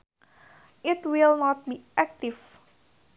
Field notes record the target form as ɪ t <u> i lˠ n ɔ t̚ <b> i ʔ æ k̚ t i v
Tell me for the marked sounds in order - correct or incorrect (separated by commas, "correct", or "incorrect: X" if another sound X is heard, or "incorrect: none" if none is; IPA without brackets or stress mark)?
incorrect: w, correct